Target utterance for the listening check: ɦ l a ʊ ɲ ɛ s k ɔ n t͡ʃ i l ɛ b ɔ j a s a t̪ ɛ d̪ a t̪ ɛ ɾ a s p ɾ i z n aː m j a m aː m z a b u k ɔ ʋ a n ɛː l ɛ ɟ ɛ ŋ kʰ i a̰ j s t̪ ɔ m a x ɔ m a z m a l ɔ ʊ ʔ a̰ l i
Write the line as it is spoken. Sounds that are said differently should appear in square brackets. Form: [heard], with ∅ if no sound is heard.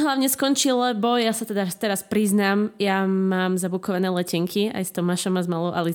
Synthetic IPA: ɦ l a ʊ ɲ ɛ s k ɔ n t͡ʃ i l ɛ b ɔ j a s a t̪ ɛ d̪ a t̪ ɛ ɾ a s p ɾ i z n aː m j a m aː m z a b u k ɔ ʋ a n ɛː l ɛ [c] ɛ ŋ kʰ i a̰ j s t̪ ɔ m a [ʃ] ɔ m a z m a l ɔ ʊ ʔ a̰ l i